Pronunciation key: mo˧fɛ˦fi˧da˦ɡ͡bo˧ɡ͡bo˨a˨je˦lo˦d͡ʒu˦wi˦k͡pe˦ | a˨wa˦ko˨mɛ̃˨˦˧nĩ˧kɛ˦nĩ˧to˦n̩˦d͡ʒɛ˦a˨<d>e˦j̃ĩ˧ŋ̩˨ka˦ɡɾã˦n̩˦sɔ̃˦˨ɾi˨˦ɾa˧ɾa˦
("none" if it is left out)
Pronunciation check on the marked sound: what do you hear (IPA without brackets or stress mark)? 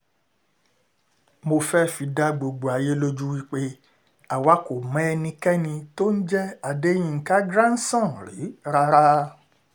d